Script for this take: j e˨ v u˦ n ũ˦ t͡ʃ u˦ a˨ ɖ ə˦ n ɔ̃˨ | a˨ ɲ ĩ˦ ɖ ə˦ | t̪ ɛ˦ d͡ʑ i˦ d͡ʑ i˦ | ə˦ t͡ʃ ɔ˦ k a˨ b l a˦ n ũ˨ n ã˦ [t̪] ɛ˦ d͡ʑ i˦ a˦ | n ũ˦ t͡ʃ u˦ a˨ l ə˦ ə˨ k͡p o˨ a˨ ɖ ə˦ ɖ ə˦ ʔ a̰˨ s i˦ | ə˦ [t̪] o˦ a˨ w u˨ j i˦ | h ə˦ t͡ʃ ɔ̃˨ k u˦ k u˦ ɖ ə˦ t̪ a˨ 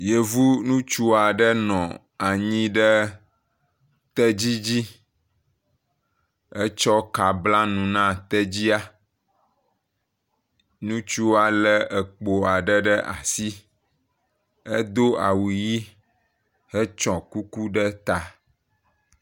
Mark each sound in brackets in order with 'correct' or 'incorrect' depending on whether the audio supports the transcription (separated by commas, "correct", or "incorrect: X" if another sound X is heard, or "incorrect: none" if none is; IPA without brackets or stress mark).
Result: correct, incorrect: d̪